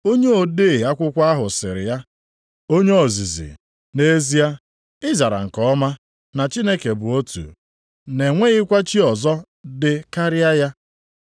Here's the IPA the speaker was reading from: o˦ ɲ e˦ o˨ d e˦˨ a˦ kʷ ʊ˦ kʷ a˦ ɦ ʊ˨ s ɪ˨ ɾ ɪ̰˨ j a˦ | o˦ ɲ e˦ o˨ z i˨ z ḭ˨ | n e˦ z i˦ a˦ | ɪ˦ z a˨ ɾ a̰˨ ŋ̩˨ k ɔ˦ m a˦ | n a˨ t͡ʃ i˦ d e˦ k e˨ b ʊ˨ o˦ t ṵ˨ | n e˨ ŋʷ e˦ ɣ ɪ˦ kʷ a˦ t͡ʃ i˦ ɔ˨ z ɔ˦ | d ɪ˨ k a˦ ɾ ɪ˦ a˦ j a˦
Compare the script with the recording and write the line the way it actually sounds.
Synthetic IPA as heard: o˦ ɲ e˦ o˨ d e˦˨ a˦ kʷ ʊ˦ kʷ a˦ ɦ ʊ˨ s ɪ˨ ɾ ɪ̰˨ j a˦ | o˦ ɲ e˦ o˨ z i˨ z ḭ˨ | n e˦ z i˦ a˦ | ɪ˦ z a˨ ɾ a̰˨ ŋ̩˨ k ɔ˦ m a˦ | n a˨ t͡ʃ i˦ n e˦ k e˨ b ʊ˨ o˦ t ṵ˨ | n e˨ ŋʷ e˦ ɣ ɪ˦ kʷ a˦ t͡ʃ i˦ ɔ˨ z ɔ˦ | d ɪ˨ k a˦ ɾ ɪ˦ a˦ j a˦